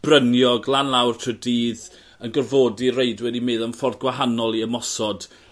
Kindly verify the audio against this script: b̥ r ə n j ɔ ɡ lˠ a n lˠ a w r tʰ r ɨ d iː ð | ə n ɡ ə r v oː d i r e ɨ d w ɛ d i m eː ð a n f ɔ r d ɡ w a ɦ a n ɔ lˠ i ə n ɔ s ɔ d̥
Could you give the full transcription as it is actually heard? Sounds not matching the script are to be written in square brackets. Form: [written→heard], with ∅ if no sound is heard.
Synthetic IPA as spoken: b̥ r ə n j ɔ ɡ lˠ a n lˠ a w r tʰ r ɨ d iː ð | ə n ɡ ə r v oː d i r e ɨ d w ɛ d i m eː ð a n f ɔ r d ɡ w a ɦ a n ɔ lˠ i ə [n→m] ɔ s ɔ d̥